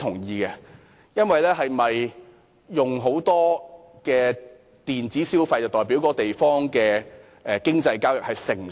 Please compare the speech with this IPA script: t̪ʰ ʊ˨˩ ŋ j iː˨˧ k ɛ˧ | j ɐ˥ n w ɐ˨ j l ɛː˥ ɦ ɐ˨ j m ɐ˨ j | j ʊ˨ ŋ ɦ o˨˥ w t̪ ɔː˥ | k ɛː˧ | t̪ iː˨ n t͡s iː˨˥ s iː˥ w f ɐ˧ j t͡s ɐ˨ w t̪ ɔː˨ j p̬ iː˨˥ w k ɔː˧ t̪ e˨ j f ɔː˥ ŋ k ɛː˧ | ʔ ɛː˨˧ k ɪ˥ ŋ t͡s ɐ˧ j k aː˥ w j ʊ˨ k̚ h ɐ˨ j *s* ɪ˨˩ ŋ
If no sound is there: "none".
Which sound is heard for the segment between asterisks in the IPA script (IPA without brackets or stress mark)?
s